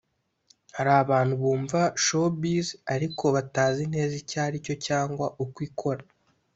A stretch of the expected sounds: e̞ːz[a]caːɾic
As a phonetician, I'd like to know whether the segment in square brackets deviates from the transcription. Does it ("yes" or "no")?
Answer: yes